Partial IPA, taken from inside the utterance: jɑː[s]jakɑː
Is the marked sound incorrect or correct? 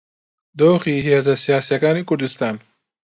correct